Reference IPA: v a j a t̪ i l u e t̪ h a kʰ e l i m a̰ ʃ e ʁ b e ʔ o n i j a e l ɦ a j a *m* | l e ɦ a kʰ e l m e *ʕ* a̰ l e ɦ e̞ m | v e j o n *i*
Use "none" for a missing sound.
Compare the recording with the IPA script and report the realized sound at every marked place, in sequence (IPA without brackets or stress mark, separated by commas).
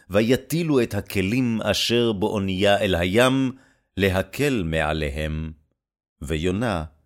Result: m, ʕ, a